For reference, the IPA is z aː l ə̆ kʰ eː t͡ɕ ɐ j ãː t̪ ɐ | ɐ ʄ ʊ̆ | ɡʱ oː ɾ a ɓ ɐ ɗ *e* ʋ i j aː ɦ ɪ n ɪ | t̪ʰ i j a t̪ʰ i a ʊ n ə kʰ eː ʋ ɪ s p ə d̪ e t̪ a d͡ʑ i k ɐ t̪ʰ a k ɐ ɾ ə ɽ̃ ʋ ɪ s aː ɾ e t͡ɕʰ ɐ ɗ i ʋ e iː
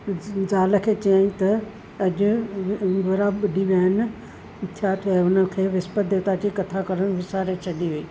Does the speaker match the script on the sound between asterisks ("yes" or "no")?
no